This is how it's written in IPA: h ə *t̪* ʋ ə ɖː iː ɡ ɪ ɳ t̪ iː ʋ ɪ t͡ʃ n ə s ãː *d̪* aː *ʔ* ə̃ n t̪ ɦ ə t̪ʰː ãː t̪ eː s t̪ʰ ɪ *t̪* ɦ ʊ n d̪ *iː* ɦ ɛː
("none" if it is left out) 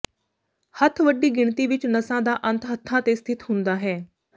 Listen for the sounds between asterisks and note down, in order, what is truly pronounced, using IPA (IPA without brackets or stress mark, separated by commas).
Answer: t̪ʰ, d̪, ʔ, t̪, aː